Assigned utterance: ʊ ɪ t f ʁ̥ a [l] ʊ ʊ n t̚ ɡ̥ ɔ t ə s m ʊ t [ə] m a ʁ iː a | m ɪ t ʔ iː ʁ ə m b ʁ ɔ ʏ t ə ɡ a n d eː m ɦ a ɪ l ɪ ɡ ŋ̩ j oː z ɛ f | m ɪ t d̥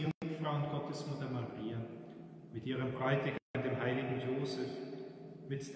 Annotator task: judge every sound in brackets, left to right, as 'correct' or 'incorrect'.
incorrect: none, incorrect: ɐ

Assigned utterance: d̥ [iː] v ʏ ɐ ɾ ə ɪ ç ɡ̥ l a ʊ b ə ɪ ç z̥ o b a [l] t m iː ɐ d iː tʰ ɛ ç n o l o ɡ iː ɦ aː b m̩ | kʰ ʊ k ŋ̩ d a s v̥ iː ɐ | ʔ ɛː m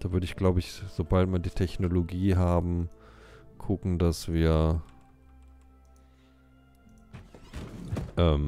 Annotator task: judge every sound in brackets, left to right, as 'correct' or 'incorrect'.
incorrect: aː, correct

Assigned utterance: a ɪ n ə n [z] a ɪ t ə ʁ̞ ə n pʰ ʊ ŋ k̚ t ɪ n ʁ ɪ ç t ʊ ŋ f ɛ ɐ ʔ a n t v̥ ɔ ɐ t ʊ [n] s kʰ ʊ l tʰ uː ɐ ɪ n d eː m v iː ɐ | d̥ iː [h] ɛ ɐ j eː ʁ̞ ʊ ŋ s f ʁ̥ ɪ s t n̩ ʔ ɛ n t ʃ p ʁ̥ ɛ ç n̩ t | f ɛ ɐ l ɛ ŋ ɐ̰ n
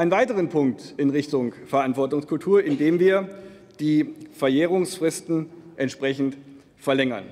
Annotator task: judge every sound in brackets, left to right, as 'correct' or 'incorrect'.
incorrect: v, incorrect: ŋ, incorrect: f

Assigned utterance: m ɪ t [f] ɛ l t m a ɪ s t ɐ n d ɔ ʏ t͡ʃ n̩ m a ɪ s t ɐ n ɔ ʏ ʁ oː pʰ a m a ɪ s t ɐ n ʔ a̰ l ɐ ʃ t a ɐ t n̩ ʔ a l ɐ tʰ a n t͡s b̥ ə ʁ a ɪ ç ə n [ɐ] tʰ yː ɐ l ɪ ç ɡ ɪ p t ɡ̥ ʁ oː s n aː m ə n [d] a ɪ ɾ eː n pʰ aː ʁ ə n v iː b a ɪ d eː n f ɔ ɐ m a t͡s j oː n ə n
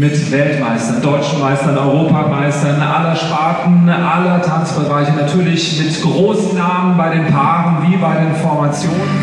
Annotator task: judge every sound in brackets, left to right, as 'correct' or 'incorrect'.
incorrect: v, incorrect: a, incorrect: b

